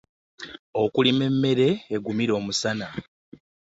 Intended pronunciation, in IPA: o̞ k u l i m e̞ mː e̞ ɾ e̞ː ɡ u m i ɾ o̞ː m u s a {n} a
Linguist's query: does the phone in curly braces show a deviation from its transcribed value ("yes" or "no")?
no